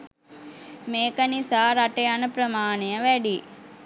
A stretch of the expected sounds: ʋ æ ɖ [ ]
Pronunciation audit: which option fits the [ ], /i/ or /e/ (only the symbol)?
i